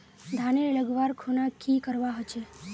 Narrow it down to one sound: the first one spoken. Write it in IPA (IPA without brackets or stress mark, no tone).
d̪ʱ